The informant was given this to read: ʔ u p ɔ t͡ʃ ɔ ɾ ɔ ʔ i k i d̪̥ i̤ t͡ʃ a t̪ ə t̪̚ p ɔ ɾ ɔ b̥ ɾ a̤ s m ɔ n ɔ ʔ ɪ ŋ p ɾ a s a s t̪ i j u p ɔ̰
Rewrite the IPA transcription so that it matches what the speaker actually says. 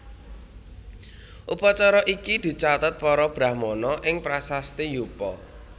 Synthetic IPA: ʔ u p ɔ t͡ʃ ɔ ɾ ɔ ʔ i k i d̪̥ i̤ t͡ʃ a t̪ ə t̪̚ p ɔ ɾ ɔ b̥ ɾ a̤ h m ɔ n ɔ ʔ ɪ ŋ p ɾ a s a s t̪ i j u p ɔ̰